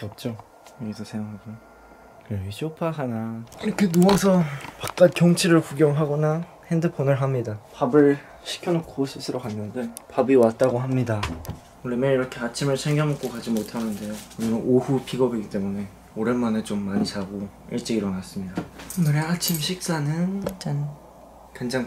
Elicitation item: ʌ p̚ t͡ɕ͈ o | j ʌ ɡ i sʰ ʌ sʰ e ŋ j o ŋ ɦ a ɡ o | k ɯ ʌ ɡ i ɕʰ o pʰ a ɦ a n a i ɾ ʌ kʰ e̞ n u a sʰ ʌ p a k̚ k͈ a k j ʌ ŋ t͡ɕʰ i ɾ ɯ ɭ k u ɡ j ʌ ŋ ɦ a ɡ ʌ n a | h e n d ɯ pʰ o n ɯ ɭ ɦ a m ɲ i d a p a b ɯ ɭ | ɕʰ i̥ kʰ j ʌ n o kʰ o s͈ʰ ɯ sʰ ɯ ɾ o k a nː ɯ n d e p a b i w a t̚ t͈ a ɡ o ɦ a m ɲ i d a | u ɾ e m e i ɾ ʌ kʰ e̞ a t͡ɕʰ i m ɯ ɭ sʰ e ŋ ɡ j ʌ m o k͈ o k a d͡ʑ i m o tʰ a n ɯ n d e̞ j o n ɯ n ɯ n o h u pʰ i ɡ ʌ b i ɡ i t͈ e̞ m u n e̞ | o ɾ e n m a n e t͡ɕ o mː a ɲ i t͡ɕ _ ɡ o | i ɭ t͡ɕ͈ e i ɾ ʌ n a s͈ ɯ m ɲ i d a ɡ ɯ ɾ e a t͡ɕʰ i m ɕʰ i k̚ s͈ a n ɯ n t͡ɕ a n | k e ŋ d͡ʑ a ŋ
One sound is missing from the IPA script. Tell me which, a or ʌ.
a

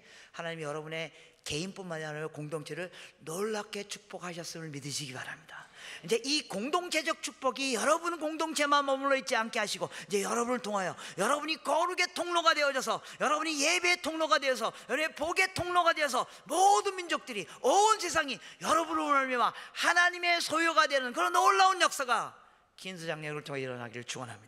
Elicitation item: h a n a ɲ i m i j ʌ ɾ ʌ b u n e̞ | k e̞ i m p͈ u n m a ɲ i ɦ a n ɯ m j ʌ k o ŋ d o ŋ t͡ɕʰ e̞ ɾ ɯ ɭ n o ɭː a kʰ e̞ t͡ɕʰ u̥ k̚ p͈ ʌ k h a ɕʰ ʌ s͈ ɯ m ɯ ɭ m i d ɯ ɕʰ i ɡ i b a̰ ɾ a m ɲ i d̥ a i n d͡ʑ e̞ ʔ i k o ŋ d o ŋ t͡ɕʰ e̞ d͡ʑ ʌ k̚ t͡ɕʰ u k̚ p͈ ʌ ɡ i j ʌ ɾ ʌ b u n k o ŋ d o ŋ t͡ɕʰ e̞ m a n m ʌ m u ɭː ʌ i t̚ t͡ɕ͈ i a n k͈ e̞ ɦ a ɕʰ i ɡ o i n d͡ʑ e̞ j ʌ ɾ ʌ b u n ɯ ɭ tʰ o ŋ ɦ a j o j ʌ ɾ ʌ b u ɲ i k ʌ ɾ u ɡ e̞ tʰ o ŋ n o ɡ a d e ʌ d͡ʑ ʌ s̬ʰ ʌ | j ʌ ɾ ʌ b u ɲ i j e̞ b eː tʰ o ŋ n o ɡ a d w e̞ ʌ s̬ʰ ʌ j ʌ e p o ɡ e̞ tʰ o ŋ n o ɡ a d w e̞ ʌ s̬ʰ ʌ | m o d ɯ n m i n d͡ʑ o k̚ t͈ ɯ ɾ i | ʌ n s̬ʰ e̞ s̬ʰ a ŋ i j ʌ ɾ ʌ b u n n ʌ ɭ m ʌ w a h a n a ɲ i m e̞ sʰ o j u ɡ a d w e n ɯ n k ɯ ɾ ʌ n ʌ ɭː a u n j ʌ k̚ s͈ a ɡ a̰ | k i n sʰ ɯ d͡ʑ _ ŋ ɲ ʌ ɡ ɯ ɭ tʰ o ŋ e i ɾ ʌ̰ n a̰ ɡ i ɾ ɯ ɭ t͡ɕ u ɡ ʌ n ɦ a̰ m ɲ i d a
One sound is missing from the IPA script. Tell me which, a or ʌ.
a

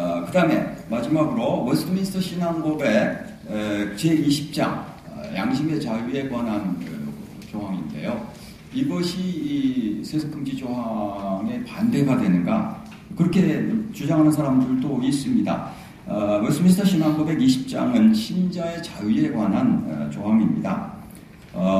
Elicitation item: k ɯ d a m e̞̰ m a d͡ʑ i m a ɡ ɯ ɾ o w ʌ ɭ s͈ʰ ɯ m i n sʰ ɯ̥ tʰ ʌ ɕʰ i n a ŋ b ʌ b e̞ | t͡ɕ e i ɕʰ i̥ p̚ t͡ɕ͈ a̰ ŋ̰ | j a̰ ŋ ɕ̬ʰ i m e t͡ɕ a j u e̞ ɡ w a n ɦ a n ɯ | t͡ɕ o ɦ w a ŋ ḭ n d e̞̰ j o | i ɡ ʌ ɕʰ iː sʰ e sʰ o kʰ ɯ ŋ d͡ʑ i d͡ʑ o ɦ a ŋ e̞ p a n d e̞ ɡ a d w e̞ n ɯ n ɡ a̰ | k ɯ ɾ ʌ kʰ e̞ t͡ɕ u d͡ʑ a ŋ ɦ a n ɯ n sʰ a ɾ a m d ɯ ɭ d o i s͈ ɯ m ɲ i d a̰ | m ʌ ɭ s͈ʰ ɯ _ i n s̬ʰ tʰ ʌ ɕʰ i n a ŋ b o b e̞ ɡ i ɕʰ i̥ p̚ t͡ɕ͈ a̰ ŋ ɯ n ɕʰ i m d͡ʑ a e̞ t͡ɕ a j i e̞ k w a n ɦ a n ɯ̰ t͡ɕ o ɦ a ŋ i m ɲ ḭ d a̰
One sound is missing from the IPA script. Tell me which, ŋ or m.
m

